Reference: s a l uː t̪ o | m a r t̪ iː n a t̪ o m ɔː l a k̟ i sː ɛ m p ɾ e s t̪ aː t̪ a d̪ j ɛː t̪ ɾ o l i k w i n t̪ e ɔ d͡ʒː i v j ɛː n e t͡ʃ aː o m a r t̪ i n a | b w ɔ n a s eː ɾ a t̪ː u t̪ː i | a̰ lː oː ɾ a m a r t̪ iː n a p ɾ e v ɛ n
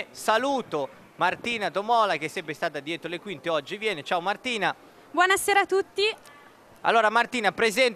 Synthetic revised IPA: s a l uː t̪ o | m a r t̪ iː n a t̪ o m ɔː l a k̟ e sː ɛ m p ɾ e s t̪ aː t̪ a d̪ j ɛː t̪ ɾ o l e k w i n t̪ e ɔ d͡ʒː i v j ɛː n e t͡ʃ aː o m a r t̪ iː n a | b w ɔ n a s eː ɾ a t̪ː u t̪ː i | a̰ lː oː ɾ a m a r t̪ iː n a p ɾ e z ɛ n